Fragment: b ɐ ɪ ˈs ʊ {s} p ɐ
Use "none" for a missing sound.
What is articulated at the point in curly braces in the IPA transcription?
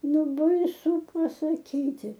none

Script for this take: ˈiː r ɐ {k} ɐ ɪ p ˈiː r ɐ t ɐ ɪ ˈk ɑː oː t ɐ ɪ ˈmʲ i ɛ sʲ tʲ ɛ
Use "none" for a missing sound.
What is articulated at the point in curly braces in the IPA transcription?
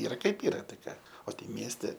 k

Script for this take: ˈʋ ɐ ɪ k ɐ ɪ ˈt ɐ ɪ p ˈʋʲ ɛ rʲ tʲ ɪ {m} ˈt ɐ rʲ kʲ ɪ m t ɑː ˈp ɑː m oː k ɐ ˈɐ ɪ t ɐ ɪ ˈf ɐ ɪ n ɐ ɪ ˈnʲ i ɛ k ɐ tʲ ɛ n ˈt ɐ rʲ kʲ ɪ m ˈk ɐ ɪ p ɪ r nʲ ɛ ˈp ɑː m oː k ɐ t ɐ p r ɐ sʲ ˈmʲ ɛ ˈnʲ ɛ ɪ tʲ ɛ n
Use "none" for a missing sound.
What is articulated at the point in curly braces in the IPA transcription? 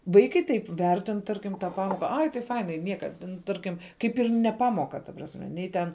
n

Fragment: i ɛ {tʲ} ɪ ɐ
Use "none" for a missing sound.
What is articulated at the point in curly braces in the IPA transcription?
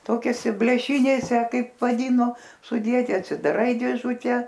tʲ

